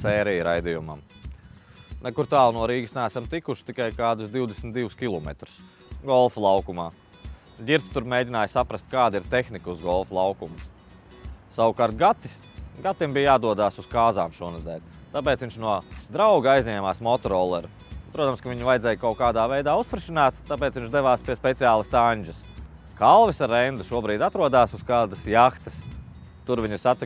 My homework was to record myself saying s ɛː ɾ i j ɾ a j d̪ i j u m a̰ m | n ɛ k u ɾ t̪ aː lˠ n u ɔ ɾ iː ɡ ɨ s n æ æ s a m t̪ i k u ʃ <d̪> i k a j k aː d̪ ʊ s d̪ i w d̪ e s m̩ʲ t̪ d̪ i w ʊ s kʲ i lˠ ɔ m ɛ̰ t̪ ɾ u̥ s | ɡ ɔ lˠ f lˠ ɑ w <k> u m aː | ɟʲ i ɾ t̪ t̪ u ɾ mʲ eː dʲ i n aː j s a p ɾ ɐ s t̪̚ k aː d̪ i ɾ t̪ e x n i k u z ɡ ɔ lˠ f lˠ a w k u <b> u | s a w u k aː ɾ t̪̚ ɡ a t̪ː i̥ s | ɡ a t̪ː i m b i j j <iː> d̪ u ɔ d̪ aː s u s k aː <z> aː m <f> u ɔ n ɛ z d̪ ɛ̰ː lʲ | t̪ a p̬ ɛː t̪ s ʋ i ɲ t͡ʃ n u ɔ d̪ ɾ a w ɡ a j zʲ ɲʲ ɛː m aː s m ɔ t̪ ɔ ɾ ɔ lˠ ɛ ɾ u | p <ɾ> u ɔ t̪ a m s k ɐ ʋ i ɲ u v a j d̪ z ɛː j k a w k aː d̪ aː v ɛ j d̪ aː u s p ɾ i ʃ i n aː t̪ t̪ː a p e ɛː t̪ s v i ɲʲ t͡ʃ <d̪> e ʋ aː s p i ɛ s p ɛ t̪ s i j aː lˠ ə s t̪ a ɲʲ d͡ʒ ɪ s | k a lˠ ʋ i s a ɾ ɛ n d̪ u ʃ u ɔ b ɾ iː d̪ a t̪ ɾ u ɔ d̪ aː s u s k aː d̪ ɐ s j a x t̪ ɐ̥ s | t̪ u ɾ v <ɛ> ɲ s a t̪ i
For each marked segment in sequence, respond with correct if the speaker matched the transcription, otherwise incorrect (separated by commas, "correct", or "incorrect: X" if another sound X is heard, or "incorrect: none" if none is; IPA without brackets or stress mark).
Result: incorrect: t̪, correct, incorrect: m, incorrect: aː, correct, incorrect: ʃ, correct, correct, incorrect: i